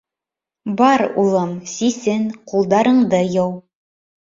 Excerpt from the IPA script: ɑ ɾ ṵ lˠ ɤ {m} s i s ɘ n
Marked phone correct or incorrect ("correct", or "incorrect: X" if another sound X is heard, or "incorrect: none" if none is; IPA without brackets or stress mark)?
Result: correct